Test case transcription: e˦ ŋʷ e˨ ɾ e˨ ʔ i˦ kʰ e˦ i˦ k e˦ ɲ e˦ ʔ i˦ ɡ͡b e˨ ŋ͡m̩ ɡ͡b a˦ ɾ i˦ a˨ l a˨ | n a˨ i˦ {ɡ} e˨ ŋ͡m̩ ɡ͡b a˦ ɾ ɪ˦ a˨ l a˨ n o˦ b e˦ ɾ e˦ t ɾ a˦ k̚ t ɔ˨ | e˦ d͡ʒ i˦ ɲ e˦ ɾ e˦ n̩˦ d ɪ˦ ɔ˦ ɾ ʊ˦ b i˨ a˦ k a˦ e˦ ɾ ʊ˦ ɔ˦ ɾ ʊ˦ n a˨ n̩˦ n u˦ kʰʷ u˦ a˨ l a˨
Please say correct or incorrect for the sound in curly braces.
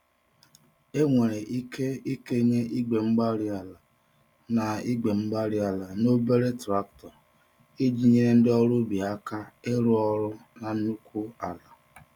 incorrect